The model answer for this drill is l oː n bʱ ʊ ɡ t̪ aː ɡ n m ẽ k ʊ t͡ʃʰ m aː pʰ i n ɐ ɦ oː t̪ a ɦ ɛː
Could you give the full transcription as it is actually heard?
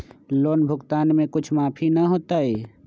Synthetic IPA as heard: l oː n bʱ ʊ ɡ t̪ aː n m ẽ k ʊ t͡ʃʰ m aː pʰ i n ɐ ɦ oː t̪ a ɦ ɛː